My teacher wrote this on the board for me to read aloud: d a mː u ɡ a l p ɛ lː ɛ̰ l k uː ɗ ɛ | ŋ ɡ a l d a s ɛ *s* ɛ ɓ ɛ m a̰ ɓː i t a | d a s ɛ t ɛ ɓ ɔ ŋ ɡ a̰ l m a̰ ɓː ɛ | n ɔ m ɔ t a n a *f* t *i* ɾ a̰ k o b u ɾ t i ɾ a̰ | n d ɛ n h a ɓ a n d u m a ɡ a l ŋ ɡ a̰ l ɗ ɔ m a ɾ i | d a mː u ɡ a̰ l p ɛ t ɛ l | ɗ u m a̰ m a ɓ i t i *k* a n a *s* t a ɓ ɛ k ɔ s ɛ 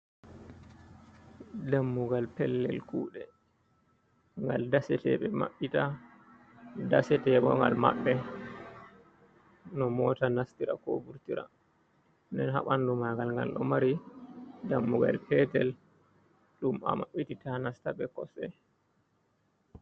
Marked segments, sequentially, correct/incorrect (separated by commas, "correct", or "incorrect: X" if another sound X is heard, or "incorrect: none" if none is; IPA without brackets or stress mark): incorrect: t, incorrect: s, correct, incorrect: t, correct